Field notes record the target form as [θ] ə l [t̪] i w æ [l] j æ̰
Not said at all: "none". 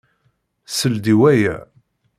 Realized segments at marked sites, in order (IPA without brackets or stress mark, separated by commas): s, d̪, none